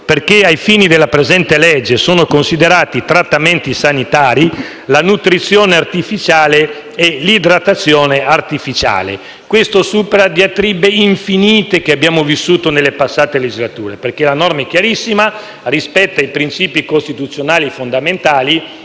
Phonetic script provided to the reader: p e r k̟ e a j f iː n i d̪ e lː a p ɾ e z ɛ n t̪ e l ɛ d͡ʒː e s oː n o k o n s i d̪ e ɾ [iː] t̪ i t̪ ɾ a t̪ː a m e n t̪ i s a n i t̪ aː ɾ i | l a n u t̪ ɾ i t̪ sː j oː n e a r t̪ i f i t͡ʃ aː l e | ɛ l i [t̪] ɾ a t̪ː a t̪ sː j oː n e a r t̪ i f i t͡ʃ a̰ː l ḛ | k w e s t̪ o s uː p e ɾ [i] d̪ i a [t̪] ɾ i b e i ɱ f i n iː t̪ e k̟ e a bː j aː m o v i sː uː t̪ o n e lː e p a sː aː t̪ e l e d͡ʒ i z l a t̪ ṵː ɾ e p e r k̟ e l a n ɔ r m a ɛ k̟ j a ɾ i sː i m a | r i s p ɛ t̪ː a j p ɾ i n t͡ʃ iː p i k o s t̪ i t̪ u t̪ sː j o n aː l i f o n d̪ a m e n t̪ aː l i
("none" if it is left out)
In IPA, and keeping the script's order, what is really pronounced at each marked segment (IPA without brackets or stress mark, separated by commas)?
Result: aː, d̪, a, t̪